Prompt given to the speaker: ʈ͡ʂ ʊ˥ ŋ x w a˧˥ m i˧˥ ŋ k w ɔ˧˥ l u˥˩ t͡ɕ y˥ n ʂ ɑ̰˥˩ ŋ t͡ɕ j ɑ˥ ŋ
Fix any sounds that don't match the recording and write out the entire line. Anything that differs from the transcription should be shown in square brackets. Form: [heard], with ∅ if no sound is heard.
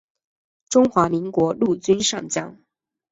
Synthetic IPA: ʈ͡ʂ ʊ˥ ŋ x w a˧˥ m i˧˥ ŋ k w ɔ˧˥ l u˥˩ t͡ɕ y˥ n ʂ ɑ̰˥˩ ŋ t͡ɕ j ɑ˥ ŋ